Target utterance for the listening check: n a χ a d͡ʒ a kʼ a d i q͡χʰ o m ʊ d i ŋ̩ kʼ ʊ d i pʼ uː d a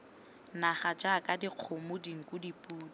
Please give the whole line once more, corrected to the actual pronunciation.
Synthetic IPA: n a χ a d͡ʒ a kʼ a d i q͡χʰ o m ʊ d i ŋ̩ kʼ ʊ d i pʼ uː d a